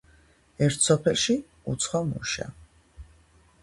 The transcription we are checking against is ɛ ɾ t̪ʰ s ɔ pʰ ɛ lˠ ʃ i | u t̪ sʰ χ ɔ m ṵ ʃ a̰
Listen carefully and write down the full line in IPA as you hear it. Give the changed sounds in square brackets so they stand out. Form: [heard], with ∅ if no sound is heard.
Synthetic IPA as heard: ɛ ɾ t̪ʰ s ɔ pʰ ɛ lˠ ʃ i | u t̪ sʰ χ ɔ m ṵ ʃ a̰